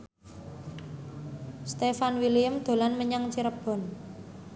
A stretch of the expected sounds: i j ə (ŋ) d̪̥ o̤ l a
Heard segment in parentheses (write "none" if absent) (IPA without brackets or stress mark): m